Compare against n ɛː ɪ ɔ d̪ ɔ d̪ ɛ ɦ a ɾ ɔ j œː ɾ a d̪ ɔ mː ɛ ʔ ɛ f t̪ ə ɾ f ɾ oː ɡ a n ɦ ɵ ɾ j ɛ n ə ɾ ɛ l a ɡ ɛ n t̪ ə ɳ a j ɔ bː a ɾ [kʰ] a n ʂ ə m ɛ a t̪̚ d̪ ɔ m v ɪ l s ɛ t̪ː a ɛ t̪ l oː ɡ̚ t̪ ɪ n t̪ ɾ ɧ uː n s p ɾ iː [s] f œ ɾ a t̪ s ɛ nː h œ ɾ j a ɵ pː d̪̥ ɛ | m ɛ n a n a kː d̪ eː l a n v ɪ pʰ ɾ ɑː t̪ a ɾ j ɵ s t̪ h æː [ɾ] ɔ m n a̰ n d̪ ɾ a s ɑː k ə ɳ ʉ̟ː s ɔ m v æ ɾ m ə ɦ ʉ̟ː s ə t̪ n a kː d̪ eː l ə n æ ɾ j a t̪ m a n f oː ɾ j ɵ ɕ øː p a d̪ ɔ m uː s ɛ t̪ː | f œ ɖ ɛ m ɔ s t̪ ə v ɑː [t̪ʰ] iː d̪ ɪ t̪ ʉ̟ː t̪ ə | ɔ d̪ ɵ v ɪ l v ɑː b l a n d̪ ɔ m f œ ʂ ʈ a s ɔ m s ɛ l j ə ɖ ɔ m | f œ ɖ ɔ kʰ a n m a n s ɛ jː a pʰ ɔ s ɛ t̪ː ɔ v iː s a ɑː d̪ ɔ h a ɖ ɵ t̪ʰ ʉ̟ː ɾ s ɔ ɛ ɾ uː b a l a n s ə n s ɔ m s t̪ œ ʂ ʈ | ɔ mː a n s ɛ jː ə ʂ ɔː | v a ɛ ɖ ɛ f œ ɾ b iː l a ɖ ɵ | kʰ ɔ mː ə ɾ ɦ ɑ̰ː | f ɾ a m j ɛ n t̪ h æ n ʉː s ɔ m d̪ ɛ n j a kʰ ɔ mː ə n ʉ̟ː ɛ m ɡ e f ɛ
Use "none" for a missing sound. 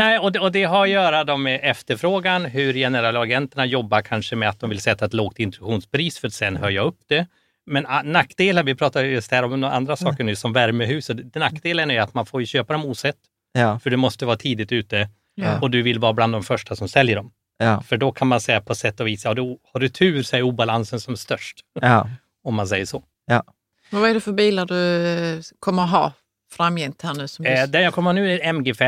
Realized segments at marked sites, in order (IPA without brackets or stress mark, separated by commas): kʰ, s, ɾ, t̪ʰ